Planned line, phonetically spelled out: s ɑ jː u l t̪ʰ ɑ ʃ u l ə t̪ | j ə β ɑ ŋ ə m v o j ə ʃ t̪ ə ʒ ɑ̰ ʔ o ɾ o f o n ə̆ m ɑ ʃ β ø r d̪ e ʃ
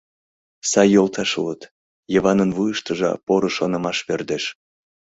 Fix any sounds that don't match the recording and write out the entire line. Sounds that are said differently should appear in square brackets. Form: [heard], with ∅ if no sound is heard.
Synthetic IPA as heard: s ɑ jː [o] l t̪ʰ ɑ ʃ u l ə t̪ | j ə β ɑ [n] ə [n] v [u] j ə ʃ t̪ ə ʒ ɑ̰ [p] o ɾ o [ʃ] o n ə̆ m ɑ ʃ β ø r d̪ e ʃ